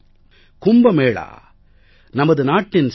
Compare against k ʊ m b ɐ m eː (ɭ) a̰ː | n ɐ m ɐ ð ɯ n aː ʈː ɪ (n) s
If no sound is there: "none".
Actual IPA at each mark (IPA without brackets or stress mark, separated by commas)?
ɭ, n